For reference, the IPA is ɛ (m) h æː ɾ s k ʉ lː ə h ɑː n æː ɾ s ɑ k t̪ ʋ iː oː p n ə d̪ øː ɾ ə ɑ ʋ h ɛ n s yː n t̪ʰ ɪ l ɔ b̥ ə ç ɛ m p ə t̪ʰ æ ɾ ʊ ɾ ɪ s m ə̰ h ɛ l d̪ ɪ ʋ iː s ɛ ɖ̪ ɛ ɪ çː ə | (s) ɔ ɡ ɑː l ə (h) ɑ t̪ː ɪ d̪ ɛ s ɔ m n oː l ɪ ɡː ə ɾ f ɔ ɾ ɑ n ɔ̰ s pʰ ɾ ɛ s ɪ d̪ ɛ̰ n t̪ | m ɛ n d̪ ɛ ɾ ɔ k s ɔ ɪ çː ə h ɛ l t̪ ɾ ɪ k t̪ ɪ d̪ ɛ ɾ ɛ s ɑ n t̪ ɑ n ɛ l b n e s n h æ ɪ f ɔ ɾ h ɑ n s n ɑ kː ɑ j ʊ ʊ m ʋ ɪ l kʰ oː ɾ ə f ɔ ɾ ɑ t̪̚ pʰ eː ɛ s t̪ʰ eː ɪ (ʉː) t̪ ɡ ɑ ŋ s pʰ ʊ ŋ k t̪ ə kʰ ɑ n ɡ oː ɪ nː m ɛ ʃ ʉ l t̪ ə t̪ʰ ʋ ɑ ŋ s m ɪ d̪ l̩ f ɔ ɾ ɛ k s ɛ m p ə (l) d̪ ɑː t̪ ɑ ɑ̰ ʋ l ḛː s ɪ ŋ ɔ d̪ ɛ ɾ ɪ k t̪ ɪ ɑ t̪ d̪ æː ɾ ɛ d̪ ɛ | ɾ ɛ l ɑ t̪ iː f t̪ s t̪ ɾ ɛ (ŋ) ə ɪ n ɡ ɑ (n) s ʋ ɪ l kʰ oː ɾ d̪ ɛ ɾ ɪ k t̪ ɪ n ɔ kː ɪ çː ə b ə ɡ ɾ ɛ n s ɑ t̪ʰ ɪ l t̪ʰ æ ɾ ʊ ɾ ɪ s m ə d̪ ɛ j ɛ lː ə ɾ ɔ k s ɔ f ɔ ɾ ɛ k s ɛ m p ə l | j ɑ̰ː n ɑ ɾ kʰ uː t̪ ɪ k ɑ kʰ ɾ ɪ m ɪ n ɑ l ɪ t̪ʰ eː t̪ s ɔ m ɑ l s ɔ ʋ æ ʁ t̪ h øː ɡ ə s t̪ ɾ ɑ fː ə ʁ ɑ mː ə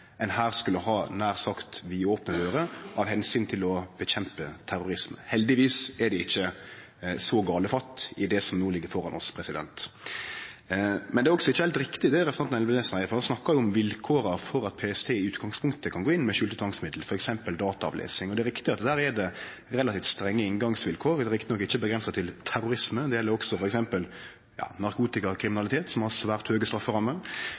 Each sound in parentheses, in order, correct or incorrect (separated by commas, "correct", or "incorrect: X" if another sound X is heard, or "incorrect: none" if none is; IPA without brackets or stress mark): incorrect: n, correct, incorrect: f, correct, correct, incorrect: ŋː, incorrect: ŋ